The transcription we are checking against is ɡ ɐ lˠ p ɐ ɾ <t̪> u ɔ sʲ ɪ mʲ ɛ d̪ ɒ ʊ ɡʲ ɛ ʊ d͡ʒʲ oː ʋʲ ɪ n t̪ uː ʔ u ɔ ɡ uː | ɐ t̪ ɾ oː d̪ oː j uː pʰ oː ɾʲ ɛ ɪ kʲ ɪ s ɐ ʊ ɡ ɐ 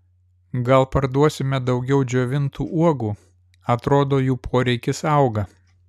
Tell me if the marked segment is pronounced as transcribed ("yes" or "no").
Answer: no